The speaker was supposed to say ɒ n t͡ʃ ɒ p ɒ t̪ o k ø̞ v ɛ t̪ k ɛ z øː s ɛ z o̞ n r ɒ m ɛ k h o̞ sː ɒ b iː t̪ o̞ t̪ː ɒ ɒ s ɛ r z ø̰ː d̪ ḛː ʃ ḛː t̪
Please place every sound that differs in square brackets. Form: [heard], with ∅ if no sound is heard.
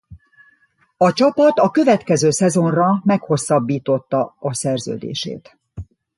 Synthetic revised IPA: ɒ [∅] t͡ʃ ɒ p ɒ t̪ [ɒ] k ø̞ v ɛ t̪ k ɛ z øː s ɛ z o̞ n r ɒ m ɛ k h o̞ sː ɒ [bː] iː t̪ o̞ t̪ː ɒ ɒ s ɛ r z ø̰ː d̪ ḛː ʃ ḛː t̪